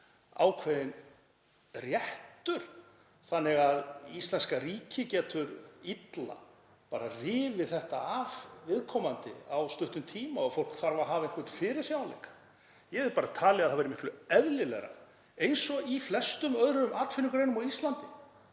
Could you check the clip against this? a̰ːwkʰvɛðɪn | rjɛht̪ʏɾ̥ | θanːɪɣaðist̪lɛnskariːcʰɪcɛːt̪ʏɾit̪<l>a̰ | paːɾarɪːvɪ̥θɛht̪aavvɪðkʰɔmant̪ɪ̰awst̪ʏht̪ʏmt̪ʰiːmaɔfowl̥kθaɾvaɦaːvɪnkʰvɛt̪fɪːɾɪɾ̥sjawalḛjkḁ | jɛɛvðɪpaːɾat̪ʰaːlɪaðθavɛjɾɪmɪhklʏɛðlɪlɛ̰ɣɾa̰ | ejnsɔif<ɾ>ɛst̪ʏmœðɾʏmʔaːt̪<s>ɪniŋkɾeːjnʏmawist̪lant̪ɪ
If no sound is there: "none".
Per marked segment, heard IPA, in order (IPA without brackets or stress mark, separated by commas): l, l, f